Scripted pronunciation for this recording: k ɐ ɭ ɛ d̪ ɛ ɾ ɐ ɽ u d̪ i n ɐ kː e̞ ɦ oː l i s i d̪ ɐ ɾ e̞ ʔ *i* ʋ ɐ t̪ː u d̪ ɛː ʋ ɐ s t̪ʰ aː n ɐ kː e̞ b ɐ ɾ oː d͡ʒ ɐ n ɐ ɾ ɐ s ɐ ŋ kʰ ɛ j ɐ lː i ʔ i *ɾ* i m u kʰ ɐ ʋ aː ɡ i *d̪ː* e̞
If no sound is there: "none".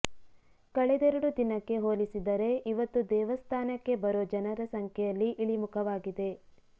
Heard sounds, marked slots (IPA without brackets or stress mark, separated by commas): i, ɭ, d̪